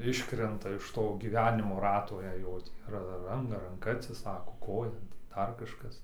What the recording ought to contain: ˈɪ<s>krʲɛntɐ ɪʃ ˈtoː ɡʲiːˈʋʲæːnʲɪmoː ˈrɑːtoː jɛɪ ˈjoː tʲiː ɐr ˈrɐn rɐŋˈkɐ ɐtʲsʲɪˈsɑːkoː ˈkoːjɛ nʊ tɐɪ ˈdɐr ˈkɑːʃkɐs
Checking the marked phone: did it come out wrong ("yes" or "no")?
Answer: yes